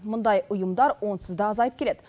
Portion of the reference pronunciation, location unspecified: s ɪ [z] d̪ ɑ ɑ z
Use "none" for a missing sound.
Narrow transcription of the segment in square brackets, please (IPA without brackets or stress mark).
z